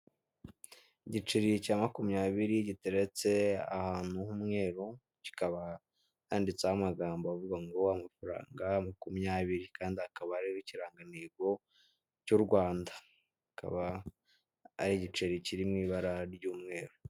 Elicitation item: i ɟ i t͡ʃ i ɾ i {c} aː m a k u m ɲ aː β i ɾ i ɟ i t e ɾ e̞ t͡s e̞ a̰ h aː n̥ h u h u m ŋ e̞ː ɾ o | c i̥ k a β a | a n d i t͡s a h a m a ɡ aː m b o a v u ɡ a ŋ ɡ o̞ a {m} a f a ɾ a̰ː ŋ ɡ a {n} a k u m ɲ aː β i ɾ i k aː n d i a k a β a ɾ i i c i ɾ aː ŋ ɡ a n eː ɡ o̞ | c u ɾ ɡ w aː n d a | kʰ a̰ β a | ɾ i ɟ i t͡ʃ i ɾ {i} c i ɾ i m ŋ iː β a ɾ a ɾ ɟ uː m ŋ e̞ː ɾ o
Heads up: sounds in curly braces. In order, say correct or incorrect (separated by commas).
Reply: correct, correct, incorrect, correct